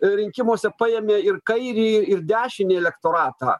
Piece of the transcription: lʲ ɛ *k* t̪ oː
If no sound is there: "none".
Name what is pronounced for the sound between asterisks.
k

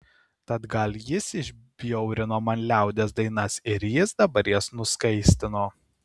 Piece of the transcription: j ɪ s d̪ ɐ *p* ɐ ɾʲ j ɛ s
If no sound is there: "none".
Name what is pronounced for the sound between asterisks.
b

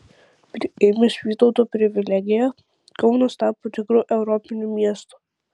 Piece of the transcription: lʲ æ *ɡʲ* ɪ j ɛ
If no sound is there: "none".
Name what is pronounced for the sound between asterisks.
ɡʲ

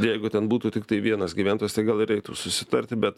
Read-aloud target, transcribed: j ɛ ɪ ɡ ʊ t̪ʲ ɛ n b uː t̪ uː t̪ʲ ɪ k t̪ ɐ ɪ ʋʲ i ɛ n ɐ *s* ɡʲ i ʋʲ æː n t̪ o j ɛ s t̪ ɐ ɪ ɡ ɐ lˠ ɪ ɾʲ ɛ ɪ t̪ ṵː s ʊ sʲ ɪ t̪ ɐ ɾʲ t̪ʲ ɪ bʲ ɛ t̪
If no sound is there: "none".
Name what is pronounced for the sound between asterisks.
s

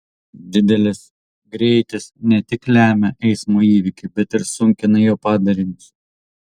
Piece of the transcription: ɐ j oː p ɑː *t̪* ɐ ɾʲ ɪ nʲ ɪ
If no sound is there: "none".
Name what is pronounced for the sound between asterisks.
d̪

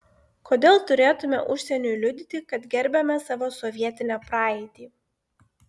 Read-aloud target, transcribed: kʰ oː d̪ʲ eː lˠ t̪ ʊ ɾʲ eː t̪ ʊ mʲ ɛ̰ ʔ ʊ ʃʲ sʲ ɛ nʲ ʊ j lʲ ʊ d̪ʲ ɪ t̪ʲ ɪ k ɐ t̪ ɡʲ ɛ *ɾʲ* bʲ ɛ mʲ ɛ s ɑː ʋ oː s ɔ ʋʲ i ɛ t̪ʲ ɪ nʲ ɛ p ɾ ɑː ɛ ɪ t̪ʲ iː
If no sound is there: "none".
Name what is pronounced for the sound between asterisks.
ɾʲ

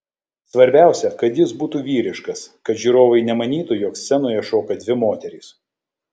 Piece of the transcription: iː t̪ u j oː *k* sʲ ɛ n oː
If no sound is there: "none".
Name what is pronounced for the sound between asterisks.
k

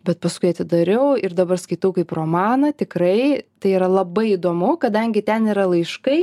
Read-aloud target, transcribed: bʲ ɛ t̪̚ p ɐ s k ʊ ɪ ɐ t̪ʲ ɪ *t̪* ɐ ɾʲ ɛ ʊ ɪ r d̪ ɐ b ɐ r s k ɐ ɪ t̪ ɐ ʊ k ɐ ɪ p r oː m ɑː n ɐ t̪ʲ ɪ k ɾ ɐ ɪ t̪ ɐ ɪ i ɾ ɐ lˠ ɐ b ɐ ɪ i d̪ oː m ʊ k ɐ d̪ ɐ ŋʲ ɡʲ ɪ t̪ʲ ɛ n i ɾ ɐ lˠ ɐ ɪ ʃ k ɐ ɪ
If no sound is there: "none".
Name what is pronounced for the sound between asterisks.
d̪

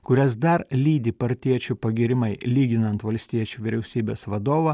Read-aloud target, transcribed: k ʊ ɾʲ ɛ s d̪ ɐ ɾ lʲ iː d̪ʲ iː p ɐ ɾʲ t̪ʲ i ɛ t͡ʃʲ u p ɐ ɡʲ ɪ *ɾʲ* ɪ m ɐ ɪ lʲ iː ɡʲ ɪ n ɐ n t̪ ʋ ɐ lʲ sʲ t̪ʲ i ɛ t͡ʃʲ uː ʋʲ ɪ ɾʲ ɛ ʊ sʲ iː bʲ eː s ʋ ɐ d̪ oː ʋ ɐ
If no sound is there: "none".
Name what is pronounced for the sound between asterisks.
ɾʲ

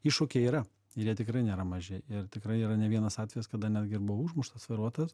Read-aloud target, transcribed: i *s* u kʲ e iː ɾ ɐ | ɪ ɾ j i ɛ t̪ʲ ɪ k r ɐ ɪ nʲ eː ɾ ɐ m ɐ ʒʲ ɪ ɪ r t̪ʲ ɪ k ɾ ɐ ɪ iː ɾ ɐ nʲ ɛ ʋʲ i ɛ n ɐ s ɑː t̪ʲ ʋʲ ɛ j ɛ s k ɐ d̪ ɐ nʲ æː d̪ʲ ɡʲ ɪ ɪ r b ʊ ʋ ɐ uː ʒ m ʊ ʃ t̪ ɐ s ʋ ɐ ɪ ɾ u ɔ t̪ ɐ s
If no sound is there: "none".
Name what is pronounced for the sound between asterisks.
ʃ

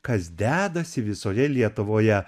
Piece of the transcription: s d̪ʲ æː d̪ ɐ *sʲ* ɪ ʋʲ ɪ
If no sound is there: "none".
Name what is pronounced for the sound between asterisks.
sʲ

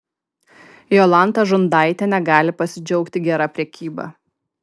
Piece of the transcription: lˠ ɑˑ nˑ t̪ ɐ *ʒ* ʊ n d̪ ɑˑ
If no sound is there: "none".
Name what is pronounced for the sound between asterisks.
ʒ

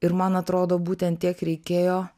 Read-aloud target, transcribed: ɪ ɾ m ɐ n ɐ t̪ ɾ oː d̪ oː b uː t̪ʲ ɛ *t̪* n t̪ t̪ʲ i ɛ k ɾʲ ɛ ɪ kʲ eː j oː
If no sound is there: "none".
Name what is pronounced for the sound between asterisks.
none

